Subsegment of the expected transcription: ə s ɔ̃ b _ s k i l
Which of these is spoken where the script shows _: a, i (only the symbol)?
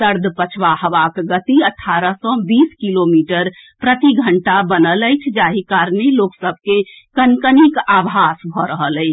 i